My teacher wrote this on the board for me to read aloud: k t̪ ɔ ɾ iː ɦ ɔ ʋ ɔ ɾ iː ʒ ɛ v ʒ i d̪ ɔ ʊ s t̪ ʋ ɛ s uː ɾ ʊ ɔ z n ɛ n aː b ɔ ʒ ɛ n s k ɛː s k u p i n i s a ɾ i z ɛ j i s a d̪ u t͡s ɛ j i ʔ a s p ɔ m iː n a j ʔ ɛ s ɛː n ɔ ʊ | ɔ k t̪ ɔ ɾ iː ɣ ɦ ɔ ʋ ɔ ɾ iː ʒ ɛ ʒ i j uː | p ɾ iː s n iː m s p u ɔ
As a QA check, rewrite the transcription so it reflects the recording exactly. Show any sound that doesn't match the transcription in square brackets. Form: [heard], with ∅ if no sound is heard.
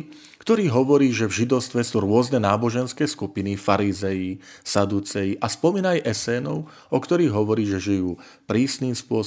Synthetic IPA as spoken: k t̪ ɔ ɾ iː ɦ ɔ ʋ ɔ ɾ iː ʒ ɛ v ʒ i d̪ ɔ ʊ s t̪ ʋ ɛ s uː ɾ ʊ ɔ z n ɛ n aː b ɔ ʒ ɛ n s k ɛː s k u p i n i [f] a ɾ i z ɛ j i s a d̪ u t͡s ɛ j i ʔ a s p ɔ m iː n a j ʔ ɛ s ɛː n ɔ ʊ | ɔ k t̪ ɔ ɾ iː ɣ ɦ ɔ ʋ ɔ ɾ iː ʒ ɛ ʒ i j uː | p ɾ iː s n iː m s p [ʊ] ɔ